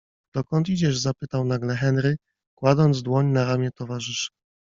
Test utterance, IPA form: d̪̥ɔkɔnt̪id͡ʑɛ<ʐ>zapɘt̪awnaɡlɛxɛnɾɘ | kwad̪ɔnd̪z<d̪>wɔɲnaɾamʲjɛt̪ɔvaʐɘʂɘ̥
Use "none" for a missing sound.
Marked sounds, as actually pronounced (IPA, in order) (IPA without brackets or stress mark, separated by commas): ʐ, d̪